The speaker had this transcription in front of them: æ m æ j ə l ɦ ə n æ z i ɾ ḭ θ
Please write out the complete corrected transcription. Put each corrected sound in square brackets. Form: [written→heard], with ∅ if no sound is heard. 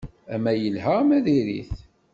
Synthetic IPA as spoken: æ m æ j ə l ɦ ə [n→m] æ [z→ð] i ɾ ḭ θ